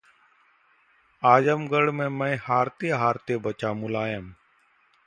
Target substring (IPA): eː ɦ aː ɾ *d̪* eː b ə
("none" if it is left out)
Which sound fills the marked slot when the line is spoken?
t̪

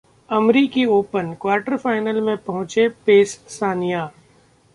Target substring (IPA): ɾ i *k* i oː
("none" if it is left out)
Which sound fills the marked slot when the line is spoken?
k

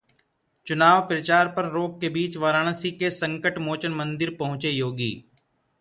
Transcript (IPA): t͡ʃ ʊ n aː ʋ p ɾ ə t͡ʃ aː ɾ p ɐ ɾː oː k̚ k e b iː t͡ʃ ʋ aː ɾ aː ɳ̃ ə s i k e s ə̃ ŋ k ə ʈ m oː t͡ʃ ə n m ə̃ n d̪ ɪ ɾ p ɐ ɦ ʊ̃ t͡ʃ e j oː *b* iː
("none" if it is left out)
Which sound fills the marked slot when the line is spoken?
ɡ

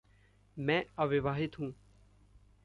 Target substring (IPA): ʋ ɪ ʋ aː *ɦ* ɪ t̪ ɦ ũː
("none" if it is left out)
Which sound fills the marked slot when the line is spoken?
ɦ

